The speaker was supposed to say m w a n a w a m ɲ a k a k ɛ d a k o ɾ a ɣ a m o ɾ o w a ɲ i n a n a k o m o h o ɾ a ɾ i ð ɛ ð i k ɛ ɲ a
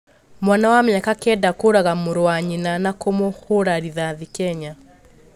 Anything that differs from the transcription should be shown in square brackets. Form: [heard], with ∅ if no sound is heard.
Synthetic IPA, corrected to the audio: m w a n a w a m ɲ a k a k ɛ d a k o ɾ a ɣ a m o ɾ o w a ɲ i n a n a k o m o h o ɾ a ɾ i ð [a] ð i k ɛ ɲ a